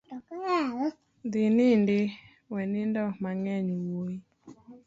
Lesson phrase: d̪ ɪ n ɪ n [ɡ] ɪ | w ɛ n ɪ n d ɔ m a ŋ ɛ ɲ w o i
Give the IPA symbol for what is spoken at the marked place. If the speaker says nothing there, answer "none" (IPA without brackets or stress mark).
d